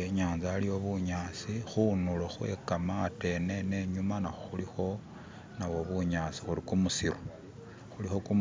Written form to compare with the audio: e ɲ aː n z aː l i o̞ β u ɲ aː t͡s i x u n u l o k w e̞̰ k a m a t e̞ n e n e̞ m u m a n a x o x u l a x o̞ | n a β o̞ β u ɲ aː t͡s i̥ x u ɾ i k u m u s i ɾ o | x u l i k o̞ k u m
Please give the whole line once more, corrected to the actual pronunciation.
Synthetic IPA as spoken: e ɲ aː n z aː l i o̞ β u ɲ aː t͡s i x u n u l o x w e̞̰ k a m a t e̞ n e n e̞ ɲ u m a n a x o x u l i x o̞ | n a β o̞ β u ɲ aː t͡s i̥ x u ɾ i k u m u s i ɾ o | x u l i x o̞ k u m

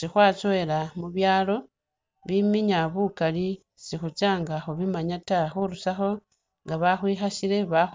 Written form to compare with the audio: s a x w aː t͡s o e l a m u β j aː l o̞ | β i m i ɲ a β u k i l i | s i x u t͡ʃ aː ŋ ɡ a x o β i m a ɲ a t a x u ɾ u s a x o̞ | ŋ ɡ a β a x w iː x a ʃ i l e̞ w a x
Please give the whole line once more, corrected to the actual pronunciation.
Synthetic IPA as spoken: s i x w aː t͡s o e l a m u β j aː l o̞ | β i m i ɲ a β u k a l i | s i x u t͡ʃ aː ŋ ɡ a x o β i m a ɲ a t a x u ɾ u s a x o̞ | ŋ ɡ a β a x w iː x a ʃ i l e̞ β a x

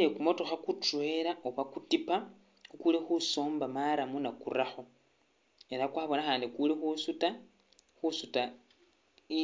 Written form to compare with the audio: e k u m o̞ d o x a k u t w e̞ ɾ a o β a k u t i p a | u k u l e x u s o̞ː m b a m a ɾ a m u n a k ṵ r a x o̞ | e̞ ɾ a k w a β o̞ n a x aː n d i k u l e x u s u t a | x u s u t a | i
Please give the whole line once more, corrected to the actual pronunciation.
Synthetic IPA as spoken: e k u m o̞ t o x a k u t w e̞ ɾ a o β a k u t i p a | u k u l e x u s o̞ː m b a m a ɾ a m u n a k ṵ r a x o̞ | e̞ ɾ a k w a β o̞ n a x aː n d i k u l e x u s u t a | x u s u t a | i

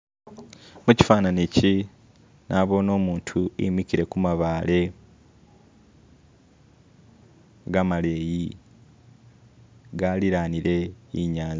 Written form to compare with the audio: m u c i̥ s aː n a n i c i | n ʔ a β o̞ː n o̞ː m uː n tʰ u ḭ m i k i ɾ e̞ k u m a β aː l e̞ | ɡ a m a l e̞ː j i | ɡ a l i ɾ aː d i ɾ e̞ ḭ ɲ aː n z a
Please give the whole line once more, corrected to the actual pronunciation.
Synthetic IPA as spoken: m u c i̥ f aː n a n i c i | n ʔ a β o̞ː n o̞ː m uː n tʰ u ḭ m i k i ɾ e̞ k u m a β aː l e̞ | ɡ a m a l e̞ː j i | ɡ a l i ɾ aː n i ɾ e̞ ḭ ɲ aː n z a

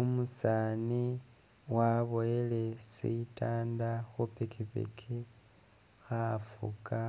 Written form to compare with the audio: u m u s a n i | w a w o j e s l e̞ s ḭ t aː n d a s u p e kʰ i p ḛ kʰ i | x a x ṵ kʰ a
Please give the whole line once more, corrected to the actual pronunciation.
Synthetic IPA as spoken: u m u s a n i | w a β o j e l e̞ s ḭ t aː n d a x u p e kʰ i p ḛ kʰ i | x a f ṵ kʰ a

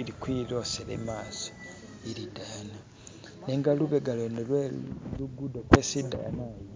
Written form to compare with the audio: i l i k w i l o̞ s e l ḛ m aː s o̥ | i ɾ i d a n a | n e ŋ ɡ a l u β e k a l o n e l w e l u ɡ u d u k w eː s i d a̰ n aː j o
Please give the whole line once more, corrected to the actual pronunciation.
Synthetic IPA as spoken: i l i k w i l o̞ s e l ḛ m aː s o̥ | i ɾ i d a n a | n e ŋ ɡ a l u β e ɡ a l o n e l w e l u ɡ u d o k w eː s i d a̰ n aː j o

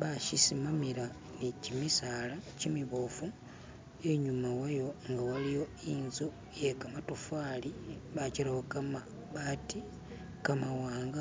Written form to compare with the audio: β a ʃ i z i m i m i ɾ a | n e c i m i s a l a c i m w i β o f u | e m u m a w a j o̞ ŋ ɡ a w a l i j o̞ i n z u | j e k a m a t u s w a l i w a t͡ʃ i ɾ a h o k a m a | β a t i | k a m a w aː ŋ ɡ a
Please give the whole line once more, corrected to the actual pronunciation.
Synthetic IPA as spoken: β a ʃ i s i m a m i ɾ a | n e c i m i s a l a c i m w i β o f u | e ɲ u m a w a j o̞ ŋ ɡ a w a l i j o̞ i n z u | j e k a m a t u f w a l i β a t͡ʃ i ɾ a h o k a m a | β a t i | k a m a w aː ŋ ɡ a

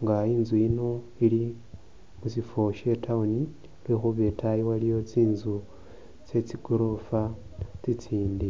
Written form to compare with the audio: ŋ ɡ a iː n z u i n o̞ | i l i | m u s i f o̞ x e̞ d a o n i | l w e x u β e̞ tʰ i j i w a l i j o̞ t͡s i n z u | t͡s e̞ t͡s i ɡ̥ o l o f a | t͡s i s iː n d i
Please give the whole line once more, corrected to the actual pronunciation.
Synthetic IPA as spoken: ŋ ɡ a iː n z u i n o̞ | i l i | m u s i f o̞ ʃ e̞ t a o n i | l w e x u β e̞ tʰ a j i w a l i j o̞ t͡s iː n z u | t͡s e̞ t͡s i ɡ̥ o ɾ o f a | t͡s i t͡s iː n d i

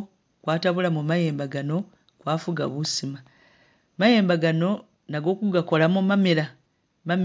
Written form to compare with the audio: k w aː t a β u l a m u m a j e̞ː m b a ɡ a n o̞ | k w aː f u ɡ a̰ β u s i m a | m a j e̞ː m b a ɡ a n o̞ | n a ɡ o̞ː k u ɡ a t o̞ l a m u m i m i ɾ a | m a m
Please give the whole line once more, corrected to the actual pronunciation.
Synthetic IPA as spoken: k w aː t a β u l a m u m a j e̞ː m b a ɡ a n o̞ | k w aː f u ɡ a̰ β u s i m a | m a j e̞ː m b a ɡ a n o̞ | n a ɡ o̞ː k u ɡ a k o̞ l a m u m a m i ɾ a | m a m

